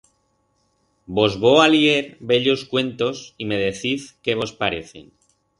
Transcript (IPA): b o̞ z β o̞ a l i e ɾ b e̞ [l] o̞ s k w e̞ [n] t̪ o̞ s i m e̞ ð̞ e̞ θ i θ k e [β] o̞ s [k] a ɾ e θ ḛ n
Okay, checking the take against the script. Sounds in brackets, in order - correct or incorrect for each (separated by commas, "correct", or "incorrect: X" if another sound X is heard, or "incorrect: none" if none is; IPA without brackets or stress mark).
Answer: incorrect: ʎ, correct, correct, incorrect: p